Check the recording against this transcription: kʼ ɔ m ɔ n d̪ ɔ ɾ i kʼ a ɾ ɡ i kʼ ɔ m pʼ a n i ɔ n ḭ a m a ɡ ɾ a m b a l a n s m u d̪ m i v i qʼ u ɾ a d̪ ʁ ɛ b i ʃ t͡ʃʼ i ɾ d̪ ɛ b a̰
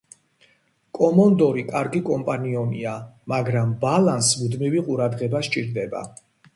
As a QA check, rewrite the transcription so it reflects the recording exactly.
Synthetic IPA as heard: kʼ ɔ m ɔ n d̪ ɔ ɾ i kʼ a ɾ ɡ i kʼ ɔ m pʼ a n i ɔ n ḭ a m a ɡ ɾ a m b a l a n s m u d̪ m i v i qʼ u ɾ a d̪ ʁ ɛ b a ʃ t͡ʃʼ i ɾ d̪ ɛ b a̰